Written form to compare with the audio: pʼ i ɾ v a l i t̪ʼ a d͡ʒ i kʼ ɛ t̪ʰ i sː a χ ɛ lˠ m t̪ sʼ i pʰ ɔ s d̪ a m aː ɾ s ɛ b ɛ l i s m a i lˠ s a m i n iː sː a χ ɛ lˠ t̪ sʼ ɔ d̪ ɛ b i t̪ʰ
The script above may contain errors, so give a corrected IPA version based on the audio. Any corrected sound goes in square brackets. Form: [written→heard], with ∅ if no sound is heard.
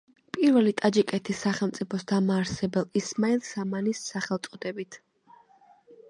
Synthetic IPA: pʼ i ɾ v [a→ɛ] l i t̪ʼ a d͡ʒ i kʼ ɛ t̪ʰ i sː a χ ɛ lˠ m t̪ sʼ i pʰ ɔ s d̪ a m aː ɾ s ɛ b ɛ l i s m a i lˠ s a m [i→a] n [iː→i] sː a χ ɛ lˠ t̪ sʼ ɔ d̪ ɛ b i t̪ʰ